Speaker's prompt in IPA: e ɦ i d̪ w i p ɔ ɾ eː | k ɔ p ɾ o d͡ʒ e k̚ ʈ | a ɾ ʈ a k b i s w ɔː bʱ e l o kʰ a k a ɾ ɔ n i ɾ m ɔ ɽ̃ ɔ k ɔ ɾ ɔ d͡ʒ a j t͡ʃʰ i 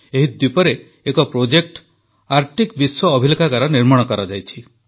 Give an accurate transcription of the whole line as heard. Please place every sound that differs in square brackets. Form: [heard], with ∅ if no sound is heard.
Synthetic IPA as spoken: e ɦ i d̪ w i p ɔ ɾ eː | k ɔ p ɾ o d͡ʒ e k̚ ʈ | a ɾ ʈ [i] k b i s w ɔː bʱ [i] l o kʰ a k a ɾ ɔ n i ɾ m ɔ ɽ̃ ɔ k ɔ ɾ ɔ d͡ʒ a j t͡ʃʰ i